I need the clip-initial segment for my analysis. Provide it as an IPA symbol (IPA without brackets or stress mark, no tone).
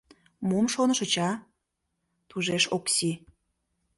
m